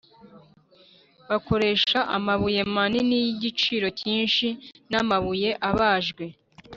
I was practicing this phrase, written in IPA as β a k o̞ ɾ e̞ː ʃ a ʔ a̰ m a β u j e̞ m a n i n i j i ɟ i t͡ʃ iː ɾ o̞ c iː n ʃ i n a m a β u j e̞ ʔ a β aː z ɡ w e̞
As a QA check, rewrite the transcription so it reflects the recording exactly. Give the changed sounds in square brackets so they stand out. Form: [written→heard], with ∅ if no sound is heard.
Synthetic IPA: β a k o̞ ɾ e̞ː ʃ a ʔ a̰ m a β u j e̞ m a n i n i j i ɟ i t͡ʃ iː ɾ o̞ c iː n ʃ i n a m a β u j e̞ ʔ a β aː [z→ʒ] ɡ w e̞